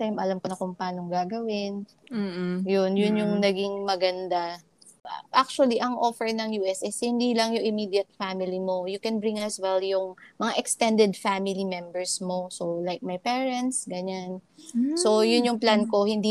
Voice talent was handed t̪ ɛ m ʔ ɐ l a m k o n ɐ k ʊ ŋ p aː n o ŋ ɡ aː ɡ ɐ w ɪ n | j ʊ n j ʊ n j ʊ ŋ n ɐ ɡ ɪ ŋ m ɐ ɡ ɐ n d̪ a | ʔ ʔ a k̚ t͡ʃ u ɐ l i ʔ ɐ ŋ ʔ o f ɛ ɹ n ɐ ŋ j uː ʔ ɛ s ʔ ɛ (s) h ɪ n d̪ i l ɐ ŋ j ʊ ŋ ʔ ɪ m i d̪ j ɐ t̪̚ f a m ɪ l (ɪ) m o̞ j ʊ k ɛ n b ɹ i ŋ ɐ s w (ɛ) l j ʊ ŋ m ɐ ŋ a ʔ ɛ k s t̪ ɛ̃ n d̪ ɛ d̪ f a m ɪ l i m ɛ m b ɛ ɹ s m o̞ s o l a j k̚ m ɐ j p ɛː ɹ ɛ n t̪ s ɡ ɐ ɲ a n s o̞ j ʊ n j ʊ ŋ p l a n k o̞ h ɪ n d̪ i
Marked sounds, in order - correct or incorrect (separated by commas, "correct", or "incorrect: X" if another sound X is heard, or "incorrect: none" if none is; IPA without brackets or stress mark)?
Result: correct, incorrect: i, correct